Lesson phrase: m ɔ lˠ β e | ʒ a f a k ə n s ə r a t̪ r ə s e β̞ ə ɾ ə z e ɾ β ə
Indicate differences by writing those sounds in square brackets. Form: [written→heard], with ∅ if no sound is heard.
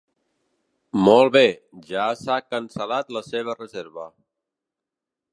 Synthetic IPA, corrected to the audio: m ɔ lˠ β e | ʒ a [f→s] a k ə n s ə [r→l] a t̪ [r→l] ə s e β̞ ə [ɾ→r] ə z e ɾ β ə